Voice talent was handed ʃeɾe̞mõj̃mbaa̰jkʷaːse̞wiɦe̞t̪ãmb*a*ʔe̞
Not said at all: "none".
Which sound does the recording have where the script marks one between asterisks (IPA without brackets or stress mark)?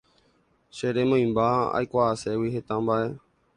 a